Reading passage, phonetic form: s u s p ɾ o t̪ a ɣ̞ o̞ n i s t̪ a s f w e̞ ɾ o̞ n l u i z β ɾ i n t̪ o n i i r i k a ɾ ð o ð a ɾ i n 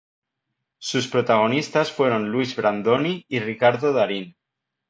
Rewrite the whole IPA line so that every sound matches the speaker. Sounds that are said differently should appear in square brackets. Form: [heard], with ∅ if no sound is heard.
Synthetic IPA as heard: s u s p ɾ o t̪ a ɣ̞ o̞ n i s t̪ a s f w e̞ ɾ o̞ n l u i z β ɾ [a] n [d̪] o n i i r i k a ɾ ð o ð a ɾ i n